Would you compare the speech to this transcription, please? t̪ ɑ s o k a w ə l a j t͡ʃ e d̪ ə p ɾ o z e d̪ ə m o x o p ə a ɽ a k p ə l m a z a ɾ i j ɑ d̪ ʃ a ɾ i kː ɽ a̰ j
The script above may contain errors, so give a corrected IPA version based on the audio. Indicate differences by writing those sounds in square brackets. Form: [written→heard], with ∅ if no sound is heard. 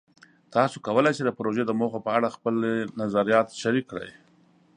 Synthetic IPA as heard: t̪ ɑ s o k a w ə l a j t͡ʃ e d̪ ə p ɾ o [z→ʒ] e d̪ ə m o x o p ə a ɽ a [k→x] p ə l [m→n] a z a ɾ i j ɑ [d̪→t̪] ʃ a ɾ i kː ɽ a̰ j